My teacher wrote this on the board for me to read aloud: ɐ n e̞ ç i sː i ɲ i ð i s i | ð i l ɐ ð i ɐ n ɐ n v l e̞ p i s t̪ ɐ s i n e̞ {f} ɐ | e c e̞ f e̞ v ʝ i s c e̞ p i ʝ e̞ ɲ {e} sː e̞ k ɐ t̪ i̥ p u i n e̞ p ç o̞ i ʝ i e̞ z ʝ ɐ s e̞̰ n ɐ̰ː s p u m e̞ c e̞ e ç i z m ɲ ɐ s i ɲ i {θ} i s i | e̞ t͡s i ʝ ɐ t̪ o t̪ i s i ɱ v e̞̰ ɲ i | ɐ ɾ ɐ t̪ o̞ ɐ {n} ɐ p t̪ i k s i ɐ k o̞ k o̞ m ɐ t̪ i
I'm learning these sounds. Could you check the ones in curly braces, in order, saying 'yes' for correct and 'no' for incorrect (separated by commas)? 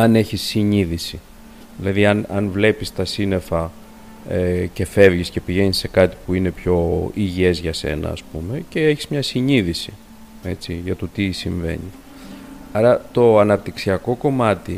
yes, no, no, yes